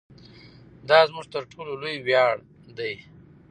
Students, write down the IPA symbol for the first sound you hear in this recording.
d̪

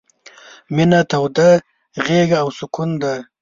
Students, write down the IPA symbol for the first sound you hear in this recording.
m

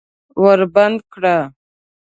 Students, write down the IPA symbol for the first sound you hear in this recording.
w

